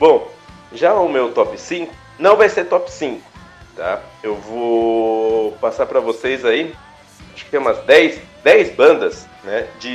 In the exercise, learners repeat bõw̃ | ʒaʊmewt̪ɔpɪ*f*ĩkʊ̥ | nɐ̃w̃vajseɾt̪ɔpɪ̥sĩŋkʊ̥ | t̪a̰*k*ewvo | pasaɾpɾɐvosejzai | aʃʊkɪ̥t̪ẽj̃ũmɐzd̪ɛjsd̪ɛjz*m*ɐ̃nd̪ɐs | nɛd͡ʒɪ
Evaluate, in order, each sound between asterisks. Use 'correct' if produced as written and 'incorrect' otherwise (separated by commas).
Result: incorrect, incorrect, incorrect